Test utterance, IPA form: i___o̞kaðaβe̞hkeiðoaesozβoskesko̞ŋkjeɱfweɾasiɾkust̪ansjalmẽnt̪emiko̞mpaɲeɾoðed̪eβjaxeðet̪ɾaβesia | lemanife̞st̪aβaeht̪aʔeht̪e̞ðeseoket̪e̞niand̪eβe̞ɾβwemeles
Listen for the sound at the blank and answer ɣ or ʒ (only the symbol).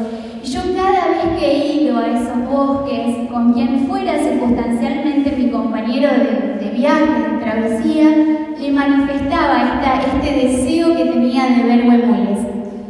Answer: ʒ